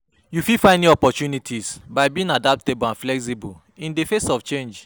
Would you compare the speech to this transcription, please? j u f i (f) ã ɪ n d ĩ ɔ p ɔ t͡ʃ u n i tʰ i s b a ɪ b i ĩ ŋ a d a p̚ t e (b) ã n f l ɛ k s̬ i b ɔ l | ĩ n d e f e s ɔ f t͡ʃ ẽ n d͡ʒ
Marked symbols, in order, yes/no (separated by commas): yes, yes